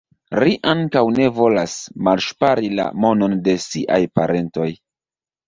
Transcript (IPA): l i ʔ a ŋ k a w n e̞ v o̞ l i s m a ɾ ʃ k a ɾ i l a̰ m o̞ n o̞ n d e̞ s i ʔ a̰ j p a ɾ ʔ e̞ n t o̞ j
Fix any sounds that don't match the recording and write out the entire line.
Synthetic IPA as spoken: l i ʔ a ŋ k a w n e̞ v o̞ l a s m a l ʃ p a ɾ i l a̰ m o̞ n o̞ n d e̞ s i ʔ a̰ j p a ɾ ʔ e̞ n t o̞ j